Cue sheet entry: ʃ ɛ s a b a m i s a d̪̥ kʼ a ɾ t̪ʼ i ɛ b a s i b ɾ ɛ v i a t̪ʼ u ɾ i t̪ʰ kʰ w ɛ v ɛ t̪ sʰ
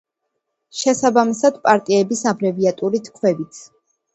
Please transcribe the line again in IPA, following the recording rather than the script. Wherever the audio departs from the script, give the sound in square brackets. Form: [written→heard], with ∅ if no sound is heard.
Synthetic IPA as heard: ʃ ɛ s a b a m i s a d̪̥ [kʼ→pʼ] a ɾ t̪ʼ i ɛ b [a→i] s [i→a] b ɾ ɛ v i a t̪ʼ u ɾ i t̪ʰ kʰ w ɛ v [ɛ→i] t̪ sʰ